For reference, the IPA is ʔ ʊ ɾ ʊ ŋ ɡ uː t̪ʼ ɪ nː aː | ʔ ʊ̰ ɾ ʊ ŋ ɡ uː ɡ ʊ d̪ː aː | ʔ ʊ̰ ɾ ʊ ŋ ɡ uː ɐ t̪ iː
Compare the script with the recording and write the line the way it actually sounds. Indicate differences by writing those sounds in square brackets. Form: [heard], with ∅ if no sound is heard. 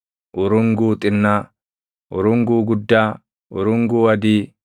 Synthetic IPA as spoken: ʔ ʊ ɾ ʊ ŋ ɡ uː t̪ʼ ɪ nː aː | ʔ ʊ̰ ɾ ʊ ŋ ɡ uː ɡ ʊ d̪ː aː | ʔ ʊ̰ ɾ ʊ ŋ ɡ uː ɐ [d̪] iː